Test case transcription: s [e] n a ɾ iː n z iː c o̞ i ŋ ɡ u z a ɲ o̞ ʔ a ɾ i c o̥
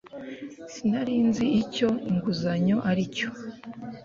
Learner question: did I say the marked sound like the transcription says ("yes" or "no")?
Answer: no